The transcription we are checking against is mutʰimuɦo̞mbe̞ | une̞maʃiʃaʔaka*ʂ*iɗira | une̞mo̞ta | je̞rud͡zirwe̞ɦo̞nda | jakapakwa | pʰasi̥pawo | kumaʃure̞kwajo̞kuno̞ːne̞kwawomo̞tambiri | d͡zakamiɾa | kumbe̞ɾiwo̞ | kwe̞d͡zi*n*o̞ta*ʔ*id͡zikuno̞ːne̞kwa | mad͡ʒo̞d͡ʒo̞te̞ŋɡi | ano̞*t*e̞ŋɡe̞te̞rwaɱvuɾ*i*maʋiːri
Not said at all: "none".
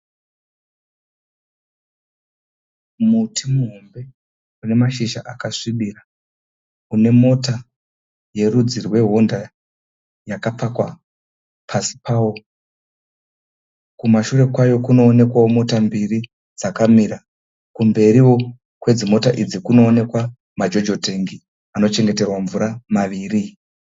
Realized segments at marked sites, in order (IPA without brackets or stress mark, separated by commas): ʂ, m, ʔ, t͡ʃ, a